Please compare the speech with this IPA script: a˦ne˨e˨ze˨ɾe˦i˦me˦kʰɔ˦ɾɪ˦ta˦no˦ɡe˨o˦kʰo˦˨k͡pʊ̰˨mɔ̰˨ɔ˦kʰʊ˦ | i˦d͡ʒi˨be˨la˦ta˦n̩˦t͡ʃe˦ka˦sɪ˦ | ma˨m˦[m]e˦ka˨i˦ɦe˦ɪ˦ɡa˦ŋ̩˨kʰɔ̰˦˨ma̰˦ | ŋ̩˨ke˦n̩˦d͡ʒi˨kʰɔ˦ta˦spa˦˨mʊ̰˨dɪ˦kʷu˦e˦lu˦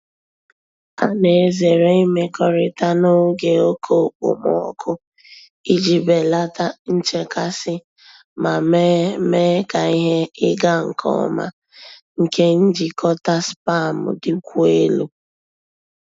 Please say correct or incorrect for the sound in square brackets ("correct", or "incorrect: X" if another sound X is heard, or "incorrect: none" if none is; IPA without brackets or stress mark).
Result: correct